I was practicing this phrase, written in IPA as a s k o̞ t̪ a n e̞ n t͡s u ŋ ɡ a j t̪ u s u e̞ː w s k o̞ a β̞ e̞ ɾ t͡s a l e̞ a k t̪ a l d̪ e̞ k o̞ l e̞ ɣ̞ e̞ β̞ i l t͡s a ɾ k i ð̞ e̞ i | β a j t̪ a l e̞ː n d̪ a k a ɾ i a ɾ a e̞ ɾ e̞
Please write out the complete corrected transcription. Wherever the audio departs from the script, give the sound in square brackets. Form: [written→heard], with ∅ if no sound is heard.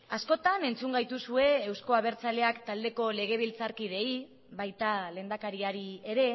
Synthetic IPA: a s k o̞ t̪ a n e̞ n t͡s u ŋ ɡ a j t̪ u s u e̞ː w s k o̞ a β̞ e̞ ɾ t͡s a l e̞ a k t̪ a l d̪ e̞ k o̞ l e̞ ɣ̞ e̞ β̞ i l t͡s a ɾ k i ð̞ e̞ i | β a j t̪ a l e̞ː n d̪ a k a ɾ i a ɾ [a→i] e̞ ɾ e̞